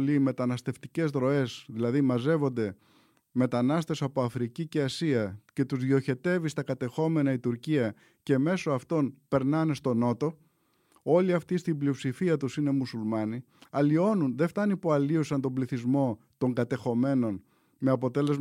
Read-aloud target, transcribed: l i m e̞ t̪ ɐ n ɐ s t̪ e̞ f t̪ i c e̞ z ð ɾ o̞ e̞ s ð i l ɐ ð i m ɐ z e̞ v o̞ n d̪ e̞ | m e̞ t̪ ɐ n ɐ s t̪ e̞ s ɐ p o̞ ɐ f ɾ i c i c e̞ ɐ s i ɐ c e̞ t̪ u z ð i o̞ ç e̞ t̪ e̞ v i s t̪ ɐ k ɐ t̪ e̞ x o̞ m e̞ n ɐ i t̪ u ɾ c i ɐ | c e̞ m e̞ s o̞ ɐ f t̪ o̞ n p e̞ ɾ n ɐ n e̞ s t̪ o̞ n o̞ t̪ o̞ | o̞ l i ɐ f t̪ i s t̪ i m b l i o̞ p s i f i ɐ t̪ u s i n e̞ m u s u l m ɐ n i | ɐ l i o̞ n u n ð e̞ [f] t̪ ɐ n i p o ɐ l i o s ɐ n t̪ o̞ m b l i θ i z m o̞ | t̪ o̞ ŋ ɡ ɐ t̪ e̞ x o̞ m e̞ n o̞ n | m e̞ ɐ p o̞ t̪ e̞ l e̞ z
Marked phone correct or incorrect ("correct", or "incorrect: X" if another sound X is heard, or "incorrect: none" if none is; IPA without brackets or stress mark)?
correct